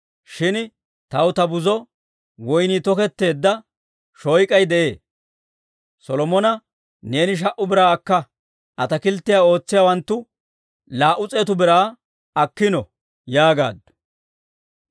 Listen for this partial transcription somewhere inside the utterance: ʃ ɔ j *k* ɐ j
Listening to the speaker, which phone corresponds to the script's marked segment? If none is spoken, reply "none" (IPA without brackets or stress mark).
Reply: kʼ